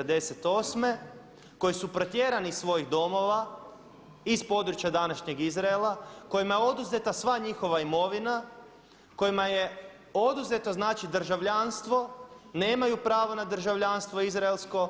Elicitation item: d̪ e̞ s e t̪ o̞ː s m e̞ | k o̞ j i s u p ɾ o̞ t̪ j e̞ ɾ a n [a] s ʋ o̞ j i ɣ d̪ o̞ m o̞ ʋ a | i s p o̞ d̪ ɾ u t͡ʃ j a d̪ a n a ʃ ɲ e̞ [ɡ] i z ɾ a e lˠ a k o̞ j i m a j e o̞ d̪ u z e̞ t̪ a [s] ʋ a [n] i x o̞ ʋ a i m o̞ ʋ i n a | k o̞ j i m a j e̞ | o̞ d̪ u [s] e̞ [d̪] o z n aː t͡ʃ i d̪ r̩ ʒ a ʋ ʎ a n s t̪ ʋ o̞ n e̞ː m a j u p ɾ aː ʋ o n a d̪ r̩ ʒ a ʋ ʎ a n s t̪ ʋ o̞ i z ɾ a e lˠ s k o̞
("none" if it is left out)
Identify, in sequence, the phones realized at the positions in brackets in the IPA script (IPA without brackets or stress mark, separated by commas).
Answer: i, ɡ, s, ɲ, z, t̪